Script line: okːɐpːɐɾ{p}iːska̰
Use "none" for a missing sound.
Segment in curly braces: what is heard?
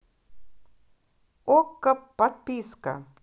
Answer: p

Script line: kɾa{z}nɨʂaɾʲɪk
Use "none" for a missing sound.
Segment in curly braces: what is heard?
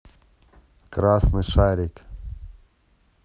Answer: s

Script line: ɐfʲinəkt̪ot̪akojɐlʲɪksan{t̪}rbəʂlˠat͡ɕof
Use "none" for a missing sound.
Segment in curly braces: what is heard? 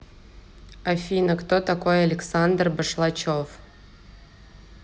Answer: d̪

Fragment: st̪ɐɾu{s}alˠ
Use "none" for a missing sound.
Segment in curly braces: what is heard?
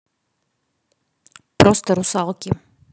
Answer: s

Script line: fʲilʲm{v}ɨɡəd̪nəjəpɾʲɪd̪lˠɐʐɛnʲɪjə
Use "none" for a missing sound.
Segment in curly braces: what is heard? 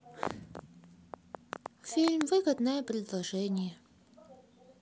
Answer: v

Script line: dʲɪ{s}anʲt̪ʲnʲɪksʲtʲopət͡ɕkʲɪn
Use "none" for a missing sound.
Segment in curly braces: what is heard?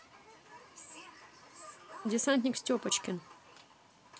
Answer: s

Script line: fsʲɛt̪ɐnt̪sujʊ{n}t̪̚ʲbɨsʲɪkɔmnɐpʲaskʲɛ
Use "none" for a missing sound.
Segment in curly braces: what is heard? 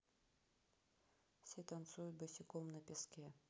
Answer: none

